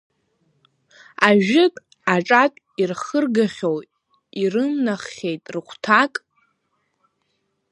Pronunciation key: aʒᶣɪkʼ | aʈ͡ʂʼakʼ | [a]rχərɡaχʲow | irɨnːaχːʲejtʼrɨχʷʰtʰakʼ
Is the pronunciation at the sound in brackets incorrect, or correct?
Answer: incorrect